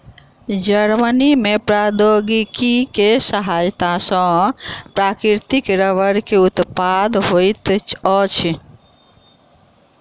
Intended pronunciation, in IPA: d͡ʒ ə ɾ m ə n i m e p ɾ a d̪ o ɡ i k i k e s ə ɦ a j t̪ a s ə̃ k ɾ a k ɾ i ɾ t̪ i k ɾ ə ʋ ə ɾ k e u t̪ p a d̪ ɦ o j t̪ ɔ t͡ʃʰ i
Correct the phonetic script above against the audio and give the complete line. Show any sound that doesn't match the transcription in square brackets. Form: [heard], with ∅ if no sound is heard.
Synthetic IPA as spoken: d͡ʒ ə ɾ m ə n i m e p ɾ a d̪ o ɡ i k i k e s ə ɦ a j t̪ a s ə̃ [p] ɾ a k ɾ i ɾ t̪ i k ɾ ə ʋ ə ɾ k e u t̪ p a d̪ ɦ o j t̪ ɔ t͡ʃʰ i

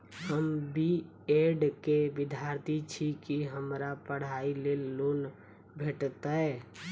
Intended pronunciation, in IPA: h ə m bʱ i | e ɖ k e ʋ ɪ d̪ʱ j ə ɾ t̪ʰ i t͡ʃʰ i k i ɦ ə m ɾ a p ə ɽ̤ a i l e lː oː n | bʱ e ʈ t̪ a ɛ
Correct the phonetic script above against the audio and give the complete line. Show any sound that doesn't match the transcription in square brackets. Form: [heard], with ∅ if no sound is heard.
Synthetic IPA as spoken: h ə m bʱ i | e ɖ k e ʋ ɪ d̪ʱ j [a] ɾ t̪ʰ i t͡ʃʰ i k i ɦ ə m ɾ a p ə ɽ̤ a i l e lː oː n | bʱ e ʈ t̪ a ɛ

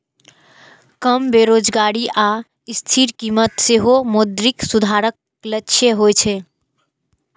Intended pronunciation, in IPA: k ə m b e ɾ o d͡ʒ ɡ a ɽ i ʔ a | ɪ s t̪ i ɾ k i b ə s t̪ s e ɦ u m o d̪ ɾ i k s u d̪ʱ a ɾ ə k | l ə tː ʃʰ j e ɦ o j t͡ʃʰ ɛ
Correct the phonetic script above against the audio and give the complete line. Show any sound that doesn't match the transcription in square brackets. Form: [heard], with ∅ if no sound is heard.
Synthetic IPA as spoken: k ə m b e ɾ o d͡ʒ ɡ a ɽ i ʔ a | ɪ s [t̪ʰ] i ɾ k i [m] ə [∅] t̪ s e ɦ [o] m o d̪ ɾ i k s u d̪ʱ a ɾ ə k | l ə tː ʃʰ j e ɦ o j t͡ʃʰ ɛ

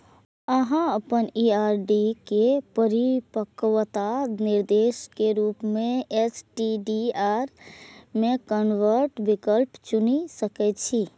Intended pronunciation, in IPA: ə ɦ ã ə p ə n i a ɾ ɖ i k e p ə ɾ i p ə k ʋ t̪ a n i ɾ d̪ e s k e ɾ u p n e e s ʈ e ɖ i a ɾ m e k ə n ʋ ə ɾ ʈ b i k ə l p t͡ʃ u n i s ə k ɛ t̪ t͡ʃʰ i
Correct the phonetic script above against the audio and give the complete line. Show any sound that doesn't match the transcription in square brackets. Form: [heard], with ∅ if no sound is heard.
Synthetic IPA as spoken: ə ɦ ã ə p ə n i a ɾ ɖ i k e p ə ɾ i p ə k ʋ t̪ a n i ɾ d̪ e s k e ɾ u p [m] e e s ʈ [i] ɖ i a ɾ m e k ə n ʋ ə ɾ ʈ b i k ə l p t͡ʃ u n i s ə k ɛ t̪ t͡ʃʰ i

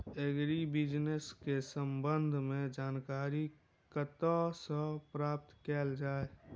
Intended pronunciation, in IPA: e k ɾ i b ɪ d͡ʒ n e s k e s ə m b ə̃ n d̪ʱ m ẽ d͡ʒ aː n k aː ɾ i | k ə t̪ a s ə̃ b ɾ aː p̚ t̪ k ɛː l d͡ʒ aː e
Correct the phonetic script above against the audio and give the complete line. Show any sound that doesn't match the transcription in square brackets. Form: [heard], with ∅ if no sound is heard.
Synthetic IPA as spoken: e [ɡ] ɾ i b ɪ d͡ʒ n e s k e s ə m b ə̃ n d̪ʱ m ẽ d͡ʒ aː n k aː ɾ i | k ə t̪ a s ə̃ [p] ɾ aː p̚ t̪ k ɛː l d͡ʒ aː e

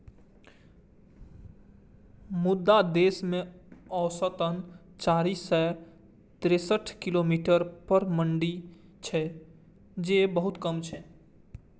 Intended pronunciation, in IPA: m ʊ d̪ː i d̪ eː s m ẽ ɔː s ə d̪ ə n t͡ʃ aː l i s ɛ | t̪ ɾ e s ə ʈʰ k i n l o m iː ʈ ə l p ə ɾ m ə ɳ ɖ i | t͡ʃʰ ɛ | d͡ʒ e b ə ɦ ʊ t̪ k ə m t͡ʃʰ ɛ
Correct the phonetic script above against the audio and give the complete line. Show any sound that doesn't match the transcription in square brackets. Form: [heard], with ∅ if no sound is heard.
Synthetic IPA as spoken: m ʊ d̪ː [a] d̪ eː s m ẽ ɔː s ə [t̪] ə n t͡ʃ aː [ɾ] i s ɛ | t̪ ɾ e s ə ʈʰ k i [∅] l o m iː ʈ ə [ɾ] p ə ɾ m ə ɳ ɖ i | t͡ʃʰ ɛ | d͡ʒ e b ə ɦ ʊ t̪ k ə m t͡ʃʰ ɛ

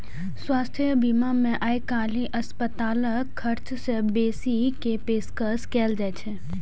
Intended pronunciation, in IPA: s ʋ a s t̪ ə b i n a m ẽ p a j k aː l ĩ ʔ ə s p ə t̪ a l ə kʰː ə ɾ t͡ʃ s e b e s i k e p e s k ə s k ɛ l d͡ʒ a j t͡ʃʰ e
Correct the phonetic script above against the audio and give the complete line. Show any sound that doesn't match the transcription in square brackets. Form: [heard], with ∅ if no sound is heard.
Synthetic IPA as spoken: s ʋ a s [t̪ʰ] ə b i [m] a m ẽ [ʔ] a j k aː l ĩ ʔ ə s p ə t̪ a l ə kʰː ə ɾ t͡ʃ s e b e s i k e p e s k ə s k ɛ l d͡ʒ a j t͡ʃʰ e

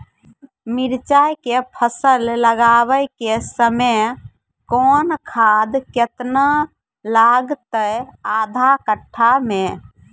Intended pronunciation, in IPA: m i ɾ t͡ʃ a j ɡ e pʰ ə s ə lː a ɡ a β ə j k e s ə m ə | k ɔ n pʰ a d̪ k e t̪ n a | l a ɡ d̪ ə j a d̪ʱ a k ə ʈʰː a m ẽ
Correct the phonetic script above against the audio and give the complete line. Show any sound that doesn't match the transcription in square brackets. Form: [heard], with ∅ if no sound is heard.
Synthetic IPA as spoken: m i ɾ t͡ʃ a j [k] e pʰ ə s ə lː [ə] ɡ a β ə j k e s ə m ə | k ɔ n [kʰ] a d̪ k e t̪ n a | l a ɡ [t̪] ə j a d̪ʱ a k ə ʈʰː a m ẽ

